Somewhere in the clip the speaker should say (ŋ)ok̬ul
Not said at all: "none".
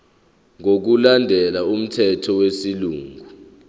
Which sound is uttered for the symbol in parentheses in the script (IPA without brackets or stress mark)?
ŋ